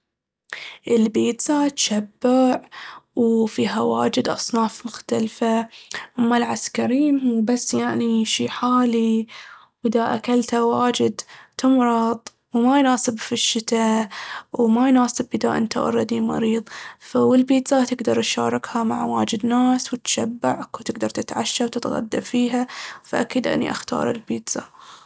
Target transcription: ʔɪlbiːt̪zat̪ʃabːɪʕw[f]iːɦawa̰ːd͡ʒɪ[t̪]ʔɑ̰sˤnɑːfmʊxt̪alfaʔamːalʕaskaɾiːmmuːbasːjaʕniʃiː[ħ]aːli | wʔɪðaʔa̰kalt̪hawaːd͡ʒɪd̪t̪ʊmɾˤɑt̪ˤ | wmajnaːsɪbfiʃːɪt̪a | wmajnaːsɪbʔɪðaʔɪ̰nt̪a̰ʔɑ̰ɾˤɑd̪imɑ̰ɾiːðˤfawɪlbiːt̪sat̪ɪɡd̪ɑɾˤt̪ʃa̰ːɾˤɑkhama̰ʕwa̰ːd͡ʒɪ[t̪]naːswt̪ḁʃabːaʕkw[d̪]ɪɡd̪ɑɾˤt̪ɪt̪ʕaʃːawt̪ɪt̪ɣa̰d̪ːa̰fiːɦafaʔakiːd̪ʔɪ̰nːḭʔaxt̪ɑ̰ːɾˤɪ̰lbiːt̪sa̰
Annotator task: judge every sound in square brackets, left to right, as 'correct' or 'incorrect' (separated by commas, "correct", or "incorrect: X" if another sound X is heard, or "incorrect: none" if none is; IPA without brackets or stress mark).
correct, incorrect: d̪, correct, incorrect: d̪, incorrect: t̪